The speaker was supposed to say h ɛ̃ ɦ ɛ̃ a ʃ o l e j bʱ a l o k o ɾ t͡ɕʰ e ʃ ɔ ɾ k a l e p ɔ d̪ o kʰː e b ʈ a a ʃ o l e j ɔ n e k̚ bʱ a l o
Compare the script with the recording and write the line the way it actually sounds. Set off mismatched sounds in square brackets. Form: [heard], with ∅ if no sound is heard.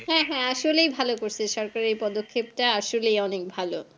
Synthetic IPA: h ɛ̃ ɦ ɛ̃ a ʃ o l e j bʱ a l o k o ɾ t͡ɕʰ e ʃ ɔ ɾ k a [ɾ] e p ɔ d̪ o kʰː e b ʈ a a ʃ o l e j ɔ n e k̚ bʱ a l o